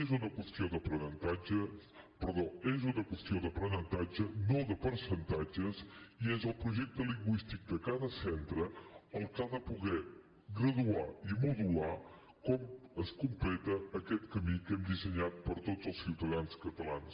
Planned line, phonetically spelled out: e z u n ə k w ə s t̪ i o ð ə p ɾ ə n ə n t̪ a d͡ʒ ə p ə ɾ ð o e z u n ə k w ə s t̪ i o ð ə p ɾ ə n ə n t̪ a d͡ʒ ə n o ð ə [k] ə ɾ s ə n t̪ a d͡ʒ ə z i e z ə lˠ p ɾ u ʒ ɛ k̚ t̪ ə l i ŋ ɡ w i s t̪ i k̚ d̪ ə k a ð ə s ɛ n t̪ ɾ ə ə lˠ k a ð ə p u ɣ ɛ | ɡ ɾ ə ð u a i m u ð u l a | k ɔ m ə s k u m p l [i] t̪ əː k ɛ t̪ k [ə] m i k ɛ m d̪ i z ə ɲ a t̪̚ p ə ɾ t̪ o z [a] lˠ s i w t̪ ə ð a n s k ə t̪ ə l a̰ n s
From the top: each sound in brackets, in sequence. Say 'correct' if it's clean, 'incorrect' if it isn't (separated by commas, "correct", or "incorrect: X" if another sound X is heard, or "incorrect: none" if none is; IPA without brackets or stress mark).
incorrect: p, incorrect: ɛ, correct, incorrect: ə